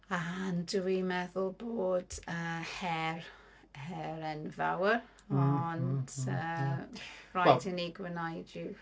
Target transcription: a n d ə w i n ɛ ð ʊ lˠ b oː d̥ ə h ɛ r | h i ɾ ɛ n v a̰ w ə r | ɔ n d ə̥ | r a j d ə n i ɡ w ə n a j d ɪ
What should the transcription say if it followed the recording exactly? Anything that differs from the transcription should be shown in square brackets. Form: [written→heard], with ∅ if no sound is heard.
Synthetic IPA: a n d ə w i [n→m] ɛ ð ʊ lˠ b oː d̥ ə h ɛ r | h [i→ɛ] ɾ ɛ n v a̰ w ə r | ɔ n d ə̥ | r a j d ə n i ɡ w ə n a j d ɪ